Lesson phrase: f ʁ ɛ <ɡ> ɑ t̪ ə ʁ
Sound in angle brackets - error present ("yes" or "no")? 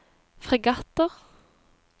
no